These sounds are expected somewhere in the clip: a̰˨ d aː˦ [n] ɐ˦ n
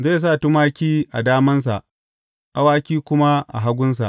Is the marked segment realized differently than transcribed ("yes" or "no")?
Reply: yes